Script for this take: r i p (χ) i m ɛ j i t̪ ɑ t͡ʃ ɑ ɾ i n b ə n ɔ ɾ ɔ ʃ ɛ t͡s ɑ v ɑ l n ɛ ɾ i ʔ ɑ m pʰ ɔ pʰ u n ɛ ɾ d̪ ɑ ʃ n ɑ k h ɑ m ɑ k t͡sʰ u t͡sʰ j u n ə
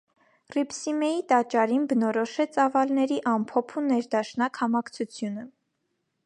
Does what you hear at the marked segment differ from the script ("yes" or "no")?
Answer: yes